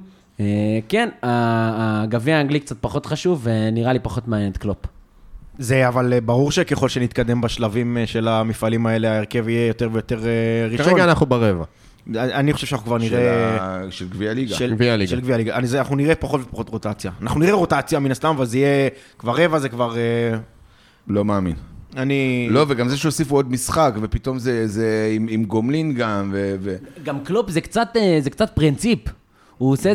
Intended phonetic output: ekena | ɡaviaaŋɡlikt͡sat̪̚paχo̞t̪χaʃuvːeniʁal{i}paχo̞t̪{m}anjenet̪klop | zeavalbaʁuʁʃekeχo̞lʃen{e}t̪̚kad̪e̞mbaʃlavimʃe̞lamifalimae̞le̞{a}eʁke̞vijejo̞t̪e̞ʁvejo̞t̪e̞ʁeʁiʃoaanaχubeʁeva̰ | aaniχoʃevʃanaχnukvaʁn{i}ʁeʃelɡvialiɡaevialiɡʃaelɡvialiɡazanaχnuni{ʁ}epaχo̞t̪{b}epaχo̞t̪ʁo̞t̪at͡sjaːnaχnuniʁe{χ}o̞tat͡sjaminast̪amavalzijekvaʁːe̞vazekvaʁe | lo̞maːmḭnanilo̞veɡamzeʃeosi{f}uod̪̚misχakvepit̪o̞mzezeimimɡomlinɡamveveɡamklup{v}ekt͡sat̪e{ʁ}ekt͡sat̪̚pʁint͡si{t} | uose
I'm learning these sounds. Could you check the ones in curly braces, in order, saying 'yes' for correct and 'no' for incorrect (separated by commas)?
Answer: yes, yes, no, yes, yes, yes, no, no, yes, no, no, no